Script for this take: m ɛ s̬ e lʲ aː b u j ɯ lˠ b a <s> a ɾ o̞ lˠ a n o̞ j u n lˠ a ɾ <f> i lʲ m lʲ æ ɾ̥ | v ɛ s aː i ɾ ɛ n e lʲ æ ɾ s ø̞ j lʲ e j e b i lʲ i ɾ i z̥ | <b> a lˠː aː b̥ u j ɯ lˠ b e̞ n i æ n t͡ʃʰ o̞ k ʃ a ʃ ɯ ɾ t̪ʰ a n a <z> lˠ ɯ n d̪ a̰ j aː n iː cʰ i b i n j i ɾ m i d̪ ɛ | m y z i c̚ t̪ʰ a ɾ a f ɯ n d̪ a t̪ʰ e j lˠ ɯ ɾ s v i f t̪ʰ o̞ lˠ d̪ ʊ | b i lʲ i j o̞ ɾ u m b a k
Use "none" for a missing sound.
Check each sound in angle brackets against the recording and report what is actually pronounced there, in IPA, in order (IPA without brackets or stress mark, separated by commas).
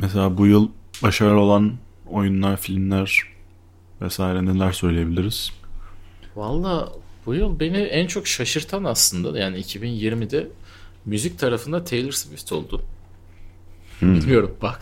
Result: ʃ, f, v, s